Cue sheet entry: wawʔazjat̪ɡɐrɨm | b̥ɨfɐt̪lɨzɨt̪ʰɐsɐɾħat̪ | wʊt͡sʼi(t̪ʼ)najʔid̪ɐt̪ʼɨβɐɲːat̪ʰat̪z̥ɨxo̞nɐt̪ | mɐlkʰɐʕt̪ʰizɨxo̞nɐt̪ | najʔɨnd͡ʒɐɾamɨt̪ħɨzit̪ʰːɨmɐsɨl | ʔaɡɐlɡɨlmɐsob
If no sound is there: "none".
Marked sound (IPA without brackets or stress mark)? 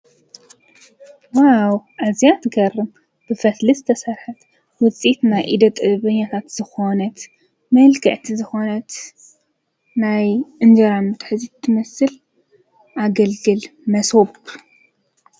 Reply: t̪